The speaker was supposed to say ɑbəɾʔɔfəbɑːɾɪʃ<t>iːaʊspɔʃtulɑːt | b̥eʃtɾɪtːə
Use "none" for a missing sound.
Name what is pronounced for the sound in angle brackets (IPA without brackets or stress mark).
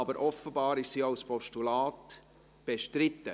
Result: s